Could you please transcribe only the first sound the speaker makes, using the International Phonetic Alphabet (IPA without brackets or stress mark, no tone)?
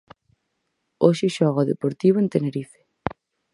o